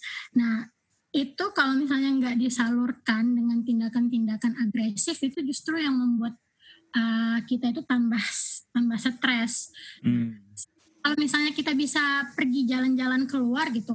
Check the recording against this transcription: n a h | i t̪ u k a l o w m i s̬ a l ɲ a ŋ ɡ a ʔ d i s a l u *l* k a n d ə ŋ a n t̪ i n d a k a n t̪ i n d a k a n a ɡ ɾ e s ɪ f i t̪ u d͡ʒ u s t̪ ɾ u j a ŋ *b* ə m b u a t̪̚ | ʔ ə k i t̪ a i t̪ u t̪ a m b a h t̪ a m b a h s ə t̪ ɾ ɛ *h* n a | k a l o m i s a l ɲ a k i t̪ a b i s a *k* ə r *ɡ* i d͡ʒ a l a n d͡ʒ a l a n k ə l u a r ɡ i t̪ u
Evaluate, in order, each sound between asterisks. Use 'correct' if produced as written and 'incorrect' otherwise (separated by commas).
incorrect, incorrect, incorrect, incorrect, correct